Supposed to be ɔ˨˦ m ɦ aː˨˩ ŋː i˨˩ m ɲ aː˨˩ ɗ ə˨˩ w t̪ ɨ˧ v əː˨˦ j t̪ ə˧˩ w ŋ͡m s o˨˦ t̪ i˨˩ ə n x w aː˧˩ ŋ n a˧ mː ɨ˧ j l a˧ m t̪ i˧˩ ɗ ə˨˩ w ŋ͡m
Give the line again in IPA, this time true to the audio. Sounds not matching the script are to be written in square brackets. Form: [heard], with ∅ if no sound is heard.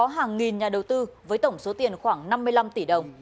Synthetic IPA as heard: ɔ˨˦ [∅] ɦ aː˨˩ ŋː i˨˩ [n] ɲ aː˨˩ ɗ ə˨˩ w t̪ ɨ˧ v əː˨˦ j t̪ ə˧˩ w ŋ͡m s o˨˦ t̪ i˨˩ ə n x w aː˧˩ ŋ n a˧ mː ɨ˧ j l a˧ m t̪ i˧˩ ɗ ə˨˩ w ŋ͡m